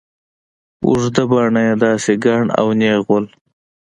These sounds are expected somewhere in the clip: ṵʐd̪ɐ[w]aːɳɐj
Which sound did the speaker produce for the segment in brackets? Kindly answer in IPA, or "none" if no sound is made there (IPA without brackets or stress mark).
b